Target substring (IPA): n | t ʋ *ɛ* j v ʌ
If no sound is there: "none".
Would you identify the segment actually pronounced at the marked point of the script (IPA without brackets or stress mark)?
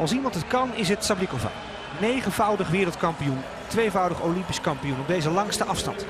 e